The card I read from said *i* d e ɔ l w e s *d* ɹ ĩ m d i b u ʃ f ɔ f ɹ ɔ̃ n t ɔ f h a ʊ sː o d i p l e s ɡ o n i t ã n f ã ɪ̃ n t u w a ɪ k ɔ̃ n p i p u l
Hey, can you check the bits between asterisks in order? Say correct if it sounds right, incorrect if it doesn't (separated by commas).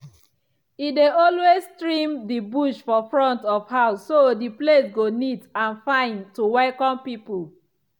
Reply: correct, incorrect